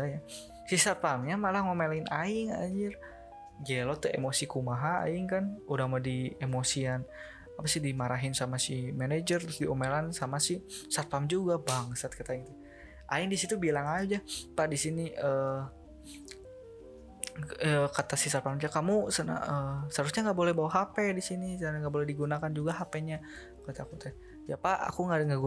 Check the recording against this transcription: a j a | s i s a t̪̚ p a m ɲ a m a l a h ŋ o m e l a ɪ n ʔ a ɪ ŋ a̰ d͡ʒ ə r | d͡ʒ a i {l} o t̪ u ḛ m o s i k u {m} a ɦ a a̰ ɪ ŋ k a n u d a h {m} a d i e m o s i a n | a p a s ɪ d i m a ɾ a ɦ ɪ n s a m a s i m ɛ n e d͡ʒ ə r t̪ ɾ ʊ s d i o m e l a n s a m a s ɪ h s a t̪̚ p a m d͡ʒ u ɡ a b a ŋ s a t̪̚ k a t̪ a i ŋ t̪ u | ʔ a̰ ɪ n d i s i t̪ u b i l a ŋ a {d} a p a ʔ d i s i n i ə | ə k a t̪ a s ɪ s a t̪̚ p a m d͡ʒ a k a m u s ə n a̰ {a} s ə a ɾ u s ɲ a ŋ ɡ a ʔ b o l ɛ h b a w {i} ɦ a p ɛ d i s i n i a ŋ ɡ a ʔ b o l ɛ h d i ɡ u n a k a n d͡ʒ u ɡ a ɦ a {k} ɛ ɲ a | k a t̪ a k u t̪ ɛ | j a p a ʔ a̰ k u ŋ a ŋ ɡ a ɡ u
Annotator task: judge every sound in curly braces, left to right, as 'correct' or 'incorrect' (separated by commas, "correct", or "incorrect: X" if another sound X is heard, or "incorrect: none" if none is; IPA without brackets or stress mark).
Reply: correct, correct, correct, incorrect: d͡ʒ, incorrect: ə, incorrect: a, incorrect: p